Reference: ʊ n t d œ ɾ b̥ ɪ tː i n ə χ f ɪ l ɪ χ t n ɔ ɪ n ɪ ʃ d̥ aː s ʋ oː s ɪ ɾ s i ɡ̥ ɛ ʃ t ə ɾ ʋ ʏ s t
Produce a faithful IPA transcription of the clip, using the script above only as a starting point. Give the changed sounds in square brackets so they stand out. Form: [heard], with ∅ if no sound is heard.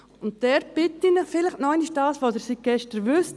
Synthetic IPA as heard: ʊ n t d [ɛ] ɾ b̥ ɪ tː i n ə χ f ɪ l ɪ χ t n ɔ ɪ n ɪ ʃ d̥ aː s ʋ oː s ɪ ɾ s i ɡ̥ ɛ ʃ t ə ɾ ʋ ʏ s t